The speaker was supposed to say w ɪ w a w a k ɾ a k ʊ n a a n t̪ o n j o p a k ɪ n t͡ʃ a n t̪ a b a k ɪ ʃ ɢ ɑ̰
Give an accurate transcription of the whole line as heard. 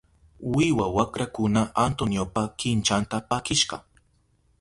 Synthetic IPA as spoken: w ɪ w a w a k ɾ a k ʊ n a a n t̪ o n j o p a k ɪ n t͡ʃ a n t̪ a p a k ɪ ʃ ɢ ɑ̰

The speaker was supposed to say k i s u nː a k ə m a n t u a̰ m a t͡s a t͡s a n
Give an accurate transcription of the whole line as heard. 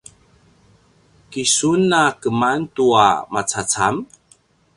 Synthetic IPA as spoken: k i s u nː a k ə m a n t u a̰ m a t͡s a t͡s a m

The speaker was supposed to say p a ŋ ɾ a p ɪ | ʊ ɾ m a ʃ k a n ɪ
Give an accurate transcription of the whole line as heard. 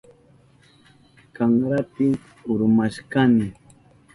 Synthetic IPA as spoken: k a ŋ ɾ a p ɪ | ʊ ɾ m a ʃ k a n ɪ

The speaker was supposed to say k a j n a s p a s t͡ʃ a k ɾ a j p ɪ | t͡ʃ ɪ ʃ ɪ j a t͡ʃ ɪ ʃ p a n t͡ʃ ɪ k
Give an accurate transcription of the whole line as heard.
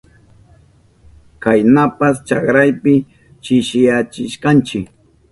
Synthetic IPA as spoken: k a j n a p a s t͡ʃ a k ɾ a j p ɪ | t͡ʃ ɪ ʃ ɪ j a t͡ʃ ɪ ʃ k a n t͡ʃ ɪ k

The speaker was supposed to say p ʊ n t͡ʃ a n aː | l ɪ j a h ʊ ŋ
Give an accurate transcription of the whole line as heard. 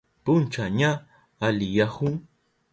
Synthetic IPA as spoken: p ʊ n t͡ʃ a ɲ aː | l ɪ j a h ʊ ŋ

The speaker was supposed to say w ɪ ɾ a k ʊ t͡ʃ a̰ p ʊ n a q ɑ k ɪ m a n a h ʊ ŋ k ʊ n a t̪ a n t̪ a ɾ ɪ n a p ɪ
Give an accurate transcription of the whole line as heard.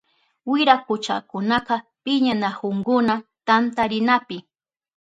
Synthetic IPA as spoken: w ɪ ɾ a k ʊ t͡ʃ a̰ k ʊ n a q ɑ p ɪ ɲ a n a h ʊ ŋ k ʊ n a t̪ a n t̪ a ɾ ɪ n a p ɪ

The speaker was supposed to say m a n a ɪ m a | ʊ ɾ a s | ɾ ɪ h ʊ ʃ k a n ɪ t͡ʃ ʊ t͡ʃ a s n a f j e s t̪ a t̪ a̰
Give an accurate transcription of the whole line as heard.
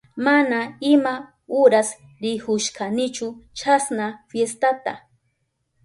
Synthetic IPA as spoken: m a n a ɪ m a | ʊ ɾ a s | ɾ ɪ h ʊ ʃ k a n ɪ t͡ʃ ʊ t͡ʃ a s n a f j e s t̪ a t̪ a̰

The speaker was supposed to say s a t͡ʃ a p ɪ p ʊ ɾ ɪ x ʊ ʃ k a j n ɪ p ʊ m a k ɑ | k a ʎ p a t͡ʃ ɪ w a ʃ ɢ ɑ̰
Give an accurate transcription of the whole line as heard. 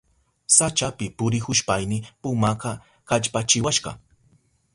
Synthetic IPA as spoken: s a t͡ʃ a p ɪ p ʊ ɾ ɪ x ʊ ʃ p a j n ɪ p ʊ m a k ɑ | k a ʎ p a t͡ʃ ɪ w a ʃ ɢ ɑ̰

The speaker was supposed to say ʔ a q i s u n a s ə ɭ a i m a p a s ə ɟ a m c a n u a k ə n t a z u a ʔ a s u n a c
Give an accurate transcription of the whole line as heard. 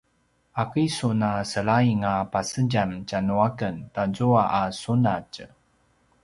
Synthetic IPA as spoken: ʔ a k i s u n a s ə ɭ a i ŋ a p a s ə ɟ a m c a n u a k ə n t a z u a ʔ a s u n a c

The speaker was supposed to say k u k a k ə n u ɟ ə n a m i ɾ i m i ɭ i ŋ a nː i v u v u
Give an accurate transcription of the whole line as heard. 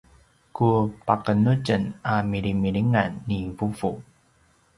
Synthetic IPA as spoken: k u p a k ə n u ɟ ə n a m i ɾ i m i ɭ i ŋ a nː i v u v u

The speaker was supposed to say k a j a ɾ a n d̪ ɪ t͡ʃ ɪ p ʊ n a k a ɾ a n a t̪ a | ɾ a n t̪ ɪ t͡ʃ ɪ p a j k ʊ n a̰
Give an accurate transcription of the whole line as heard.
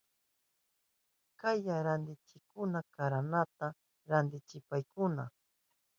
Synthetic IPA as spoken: k a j a ɾ a n d̪ ɪ t͡ʃ ɪ k ʊ n a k a ɾ a n a t̪ a | ɾ a n d̪ ɪ t͡ʃ ɪ p a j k ʊ n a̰

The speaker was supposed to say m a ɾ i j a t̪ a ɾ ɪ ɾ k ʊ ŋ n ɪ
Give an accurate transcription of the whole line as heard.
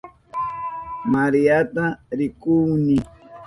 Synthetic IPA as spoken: m a ɾ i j a t̪ a ɾ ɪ k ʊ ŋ n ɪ

